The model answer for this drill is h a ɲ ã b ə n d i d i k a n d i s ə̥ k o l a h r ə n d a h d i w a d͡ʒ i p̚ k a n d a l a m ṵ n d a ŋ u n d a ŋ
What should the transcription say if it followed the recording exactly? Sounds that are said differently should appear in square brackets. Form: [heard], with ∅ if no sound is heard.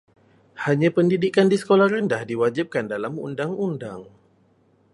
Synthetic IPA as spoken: h a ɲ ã [p] ə n d i d i k a n d i s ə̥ k o l a h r ə n d a h d i w a d͡ʒ i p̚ k a n d a l a m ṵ n d a ŋ u n d a ŋ